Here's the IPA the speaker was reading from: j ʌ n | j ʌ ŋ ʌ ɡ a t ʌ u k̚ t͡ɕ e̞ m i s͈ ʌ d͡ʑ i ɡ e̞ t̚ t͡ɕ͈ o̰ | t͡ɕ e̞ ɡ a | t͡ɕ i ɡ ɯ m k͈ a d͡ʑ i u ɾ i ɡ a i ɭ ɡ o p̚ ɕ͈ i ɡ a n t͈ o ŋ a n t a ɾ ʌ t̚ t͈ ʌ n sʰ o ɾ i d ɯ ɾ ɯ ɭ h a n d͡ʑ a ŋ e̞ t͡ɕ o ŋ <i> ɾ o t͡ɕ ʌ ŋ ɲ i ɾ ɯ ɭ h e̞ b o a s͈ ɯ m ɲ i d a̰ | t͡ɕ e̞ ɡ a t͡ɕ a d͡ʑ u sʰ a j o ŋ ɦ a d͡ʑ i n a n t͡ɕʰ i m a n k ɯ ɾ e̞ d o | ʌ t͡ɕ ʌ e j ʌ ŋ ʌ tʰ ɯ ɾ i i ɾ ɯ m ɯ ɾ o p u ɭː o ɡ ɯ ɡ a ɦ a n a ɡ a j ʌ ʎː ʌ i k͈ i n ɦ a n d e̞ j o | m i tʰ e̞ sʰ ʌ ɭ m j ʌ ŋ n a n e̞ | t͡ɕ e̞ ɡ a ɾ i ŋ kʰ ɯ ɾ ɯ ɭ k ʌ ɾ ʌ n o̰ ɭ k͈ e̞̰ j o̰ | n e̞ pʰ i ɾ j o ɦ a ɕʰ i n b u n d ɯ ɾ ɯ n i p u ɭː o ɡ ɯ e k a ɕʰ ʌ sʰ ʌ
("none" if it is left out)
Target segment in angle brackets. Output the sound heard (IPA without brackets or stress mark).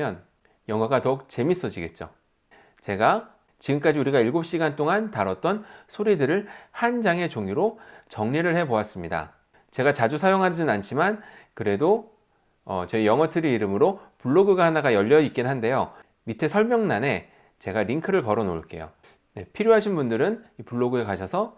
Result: i